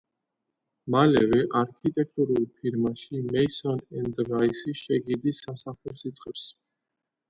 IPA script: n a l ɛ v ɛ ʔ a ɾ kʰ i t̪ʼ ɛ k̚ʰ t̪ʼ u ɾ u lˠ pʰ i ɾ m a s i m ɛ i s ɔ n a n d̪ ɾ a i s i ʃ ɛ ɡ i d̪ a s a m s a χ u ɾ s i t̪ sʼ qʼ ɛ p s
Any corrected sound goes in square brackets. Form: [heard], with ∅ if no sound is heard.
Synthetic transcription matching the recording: [m] a l ɛ v ɛ ʔ a ɾ kʰ i t̪ʼ ɛ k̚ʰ t̪ʼ u ɾ u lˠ pʰ i ɾ m a [ʃ] i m ɛ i s ɔ n [ɛ] n d̪ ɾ a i s i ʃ ɛ ɡ i d̪ [i] s a m s a χ u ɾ s i t̪ sʼ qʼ ɛ p s